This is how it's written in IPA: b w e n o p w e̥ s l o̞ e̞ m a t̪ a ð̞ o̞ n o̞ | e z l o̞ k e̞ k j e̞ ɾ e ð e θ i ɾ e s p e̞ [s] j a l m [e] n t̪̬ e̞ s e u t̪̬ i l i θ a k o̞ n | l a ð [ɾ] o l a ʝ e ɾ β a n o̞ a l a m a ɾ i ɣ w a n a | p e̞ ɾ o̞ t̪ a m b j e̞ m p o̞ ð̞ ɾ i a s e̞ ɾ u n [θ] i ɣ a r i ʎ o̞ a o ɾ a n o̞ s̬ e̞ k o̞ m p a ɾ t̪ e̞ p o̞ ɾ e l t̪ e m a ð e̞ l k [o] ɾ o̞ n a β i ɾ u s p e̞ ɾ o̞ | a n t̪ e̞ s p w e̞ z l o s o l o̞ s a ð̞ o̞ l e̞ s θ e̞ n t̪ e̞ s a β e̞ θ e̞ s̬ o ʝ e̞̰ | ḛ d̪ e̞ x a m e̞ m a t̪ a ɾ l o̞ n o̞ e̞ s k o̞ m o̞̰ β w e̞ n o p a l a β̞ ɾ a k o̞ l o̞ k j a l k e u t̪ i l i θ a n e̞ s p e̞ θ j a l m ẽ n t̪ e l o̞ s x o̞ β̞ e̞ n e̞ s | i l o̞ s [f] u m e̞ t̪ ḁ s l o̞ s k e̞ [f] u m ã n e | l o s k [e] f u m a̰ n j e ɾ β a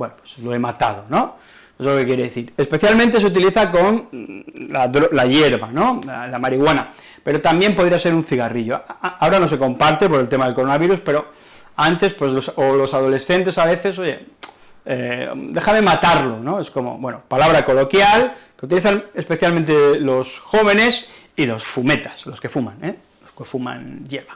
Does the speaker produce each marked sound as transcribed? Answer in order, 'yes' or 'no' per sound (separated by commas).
no, no, yes, yes, yes, yes, yes, yes